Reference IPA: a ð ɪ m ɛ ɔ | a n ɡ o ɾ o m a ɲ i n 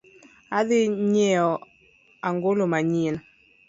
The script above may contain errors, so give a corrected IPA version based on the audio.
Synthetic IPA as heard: a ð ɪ ɲ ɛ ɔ | a ŋ ɡ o l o m a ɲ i n